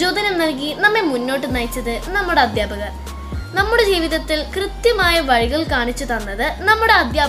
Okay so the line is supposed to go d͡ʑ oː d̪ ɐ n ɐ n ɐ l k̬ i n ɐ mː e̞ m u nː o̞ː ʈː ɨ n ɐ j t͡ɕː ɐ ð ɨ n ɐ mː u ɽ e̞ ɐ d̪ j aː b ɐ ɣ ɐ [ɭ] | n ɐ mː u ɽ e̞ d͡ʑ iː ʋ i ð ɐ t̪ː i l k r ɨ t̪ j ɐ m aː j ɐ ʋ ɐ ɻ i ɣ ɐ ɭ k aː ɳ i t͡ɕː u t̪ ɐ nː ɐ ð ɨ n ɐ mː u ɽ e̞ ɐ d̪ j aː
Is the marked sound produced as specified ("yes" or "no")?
no